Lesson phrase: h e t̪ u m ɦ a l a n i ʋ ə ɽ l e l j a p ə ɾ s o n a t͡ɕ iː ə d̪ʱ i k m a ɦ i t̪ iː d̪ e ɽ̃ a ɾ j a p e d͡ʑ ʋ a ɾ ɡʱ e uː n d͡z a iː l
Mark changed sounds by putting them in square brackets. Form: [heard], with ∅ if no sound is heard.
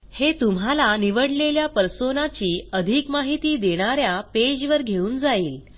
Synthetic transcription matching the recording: h e t̪ u m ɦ a l a n i ʋ ə ɽ l e l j a p ə ɾ s o n a t͡ɕ iː ə d̪ʱ i k m a ɦ i t̪ iː d̪ e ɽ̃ a ɾ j a p e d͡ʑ ʋ [ə] ɾ ɡʱ e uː n d͡z a iː l